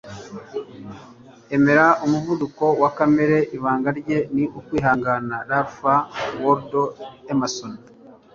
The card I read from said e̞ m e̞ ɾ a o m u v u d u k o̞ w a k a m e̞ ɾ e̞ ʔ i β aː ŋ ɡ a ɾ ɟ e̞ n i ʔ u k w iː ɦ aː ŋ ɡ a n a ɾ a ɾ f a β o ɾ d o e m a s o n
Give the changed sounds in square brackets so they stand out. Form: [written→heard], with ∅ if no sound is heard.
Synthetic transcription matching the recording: e̞ m e̞ ɾ a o m u v u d u k o̞ w a k a m e̞ ɾ e̞ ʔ i β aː ŋ ɡ a ɾ ɟ e̞ n i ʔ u k w iː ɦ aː ŋ ɡ a n a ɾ a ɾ f a [β→w] o ɾ d o e m a s o n